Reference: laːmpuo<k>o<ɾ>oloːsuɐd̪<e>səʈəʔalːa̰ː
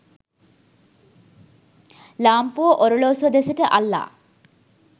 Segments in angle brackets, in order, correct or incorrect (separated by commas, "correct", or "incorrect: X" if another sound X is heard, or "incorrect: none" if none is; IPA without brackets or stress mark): incorrect: ʔ, correct, correct